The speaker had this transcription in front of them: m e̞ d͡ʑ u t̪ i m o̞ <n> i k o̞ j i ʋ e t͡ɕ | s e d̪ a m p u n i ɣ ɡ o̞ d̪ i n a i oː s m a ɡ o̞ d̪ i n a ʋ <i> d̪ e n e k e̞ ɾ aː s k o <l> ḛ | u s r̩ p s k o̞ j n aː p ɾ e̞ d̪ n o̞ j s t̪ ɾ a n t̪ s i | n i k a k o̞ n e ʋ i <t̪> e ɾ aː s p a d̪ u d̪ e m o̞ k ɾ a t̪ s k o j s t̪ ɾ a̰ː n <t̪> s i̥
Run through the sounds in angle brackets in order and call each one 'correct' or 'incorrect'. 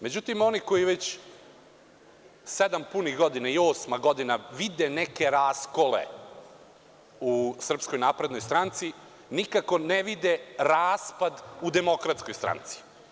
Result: correct, correct, correct, incorrect: d̪, correct

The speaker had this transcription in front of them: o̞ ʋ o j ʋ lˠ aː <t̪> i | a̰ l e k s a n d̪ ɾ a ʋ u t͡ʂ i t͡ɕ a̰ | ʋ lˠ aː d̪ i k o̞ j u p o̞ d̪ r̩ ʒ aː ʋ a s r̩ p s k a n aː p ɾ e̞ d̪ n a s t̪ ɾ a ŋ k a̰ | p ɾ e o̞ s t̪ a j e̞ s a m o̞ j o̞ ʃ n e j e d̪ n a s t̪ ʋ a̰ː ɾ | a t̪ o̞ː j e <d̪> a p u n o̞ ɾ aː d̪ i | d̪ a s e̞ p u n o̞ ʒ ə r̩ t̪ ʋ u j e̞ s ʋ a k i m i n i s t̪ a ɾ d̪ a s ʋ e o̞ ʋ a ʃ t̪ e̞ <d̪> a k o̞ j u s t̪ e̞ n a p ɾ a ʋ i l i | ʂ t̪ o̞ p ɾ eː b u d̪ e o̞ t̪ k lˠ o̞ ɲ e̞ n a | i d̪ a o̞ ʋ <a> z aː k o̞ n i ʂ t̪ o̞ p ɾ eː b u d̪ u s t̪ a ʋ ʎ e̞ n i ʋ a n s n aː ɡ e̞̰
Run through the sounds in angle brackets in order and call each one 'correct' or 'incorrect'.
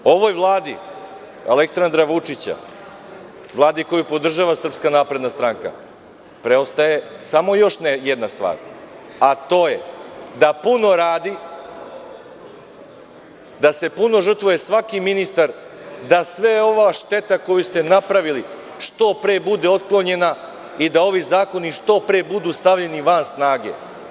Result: incorrect: d̪, correct, incorrect: t̪, incorrect: i

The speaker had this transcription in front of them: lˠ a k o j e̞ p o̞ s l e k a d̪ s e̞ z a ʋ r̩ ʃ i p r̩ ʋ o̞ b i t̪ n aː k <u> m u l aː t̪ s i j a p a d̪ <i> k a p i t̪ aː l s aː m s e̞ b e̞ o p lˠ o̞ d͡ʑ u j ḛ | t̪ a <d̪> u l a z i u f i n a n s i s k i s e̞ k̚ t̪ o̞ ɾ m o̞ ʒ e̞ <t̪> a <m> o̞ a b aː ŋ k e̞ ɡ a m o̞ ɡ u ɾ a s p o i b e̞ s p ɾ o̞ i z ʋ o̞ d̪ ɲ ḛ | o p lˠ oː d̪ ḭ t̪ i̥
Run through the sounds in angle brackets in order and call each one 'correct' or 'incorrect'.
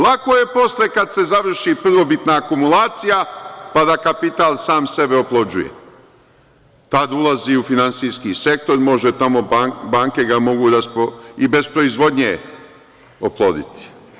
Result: correct, incorrect: a, correct, correct, correct

